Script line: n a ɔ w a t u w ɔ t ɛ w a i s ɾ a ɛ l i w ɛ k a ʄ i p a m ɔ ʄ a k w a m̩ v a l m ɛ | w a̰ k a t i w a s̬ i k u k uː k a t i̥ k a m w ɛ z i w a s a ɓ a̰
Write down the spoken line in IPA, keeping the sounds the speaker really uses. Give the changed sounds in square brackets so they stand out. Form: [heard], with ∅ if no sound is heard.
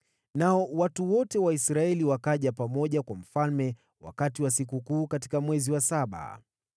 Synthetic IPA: n a ɔ w a t u w ɔ t ɛ w a i s ɾ a ɛ l i w [a] k a ʄ [a] p a m ɔ ʄ a k w a m̩ [f] a l m ɛ | w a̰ k a t i w a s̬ i k u k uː k a t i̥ k a m w ɛ z i w a s a ɓ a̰